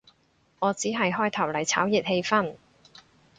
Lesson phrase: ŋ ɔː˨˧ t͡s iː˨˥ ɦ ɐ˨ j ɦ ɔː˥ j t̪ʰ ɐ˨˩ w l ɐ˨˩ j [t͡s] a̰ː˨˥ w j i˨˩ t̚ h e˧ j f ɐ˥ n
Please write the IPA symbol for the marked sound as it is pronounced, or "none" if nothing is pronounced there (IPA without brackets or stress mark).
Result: t͡sʰ